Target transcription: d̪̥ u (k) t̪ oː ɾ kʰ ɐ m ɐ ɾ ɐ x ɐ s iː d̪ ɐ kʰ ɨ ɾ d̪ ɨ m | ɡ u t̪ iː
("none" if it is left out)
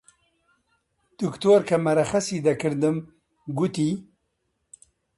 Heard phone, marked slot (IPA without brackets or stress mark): k